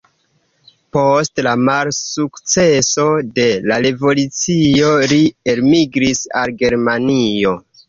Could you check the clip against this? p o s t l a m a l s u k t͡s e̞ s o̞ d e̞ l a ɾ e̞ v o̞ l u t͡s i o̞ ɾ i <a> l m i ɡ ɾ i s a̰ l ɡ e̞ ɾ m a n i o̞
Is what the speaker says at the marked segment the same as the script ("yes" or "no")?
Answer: no